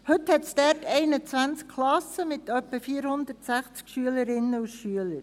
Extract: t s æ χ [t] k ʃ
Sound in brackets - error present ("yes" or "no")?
yes